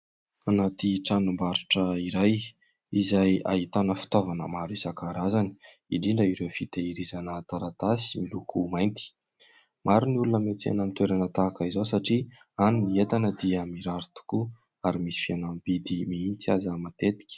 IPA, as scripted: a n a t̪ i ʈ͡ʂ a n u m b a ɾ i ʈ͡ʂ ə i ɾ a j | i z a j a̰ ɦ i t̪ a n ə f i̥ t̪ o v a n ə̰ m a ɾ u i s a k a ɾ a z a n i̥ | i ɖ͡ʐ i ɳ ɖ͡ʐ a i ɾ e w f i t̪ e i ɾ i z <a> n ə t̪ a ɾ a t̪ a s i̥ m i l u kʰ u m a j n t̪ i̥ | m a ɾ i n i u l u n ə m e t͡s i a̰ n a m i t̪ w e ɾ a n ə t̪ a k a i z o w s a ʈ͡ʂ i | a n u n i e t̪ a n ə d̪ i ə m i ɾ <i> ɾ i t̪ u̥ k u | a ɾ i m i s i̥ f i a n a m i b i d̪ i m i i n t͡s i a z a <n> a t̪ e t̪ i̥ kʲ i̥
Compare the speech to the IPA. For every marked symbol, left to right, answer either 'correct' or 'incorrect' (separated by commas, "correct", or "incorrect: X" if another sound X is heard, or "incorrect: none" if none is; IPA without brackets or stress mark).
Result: correct, incorrect: a, incorrect: m